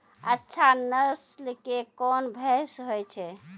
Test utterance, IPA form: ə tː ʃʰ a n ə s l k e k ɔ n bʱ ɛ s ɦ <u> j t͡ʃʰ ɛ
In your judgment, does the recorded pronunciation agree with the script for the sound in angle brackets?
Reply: no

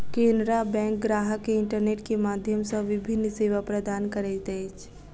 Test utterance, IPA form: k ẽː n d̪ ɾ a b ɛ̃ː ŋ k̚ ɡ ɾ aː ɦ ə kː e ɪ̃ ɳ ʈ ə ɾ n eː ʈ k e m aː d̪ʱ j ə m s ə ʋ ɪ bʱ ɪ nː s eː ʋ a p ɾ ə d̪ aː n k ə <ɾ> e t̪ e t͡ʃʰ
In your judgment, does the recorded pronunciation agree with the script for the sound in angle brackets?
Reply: yes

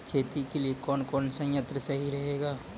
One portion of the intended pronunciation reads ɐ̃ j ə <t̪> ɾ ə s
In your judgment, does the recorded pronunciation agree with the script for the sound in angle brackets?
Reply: yes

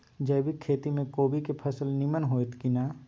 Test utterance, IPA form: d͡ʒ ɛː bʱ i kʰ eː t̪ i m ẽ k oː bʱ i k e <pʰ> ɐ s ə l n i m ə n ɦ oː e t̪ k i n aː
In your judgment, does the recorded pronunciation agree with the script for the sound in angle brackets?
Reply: yes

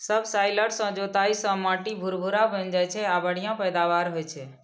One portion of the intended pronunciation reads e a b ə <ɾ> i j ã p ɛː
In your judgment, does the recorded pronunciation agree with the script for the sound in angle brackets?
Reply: no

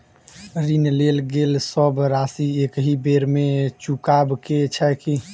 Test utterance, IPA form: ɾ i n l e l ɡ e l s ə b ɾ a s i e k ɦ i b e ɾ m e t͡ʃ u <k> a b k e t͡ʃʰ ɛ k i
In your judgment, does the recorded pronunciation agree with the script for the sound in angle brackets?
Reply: yes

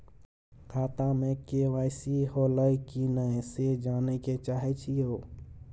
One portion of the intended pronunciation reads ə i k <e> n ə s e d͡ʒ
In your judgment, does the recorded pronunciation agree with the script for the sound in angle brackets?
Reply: no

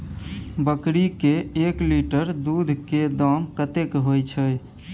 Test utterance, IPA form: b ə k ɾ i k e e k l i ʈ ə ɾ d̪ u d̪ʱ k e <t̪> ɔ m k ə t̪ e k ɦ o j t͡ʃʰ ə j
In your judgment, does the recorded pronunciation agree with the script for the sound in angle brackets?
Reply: no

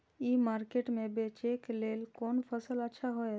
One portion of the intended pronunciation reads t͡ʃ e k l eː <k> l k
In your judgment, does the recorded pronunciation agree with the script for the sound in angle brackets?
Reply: no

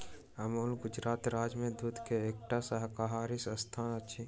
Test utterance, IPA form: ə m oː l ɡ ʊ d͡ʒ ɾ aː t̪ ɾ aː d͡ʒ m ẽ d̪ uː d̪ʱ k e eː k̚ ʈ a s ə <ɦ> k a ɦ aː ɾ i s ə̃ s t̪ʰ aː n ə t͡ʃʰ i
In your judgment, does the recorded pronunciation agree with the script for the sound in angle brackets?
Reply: yes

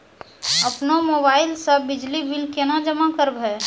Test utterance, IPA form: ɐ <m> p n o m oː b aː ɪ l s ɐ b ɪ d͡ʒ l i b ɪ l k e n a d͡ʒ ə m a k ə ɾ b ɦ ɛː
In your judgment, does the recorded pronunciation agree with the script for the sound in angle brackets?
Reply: no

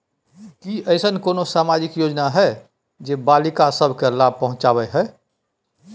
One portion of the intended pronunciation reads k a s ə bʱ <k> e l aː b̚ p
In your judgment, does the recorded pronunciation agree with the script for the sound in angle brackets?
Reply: yes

